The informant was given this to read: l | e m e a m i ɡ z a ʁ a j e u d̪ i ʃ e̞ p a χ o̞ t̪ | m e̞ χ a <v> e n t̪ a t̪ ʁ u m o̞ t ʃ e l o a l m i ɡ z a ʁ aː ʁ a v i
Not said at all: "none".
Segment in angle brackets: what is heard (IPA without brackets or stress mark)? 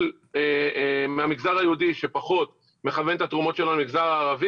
v